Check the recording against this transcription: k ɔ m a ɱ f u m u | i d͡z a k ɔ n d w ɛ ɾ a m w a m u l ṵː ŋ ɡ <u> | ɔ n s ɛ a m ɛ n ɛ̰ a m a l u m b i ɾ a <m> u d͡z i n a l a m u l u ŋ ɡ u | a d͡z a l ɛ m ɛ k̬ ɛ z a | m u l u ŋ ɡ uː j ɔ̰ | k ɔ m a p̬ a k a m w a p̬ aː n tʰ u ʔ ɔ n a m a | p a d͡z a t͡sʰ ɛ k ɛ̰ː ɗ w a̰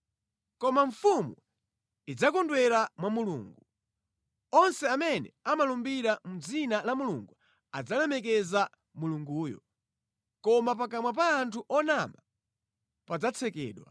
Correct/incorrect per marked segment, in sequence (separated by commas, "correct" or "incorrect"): correct, correct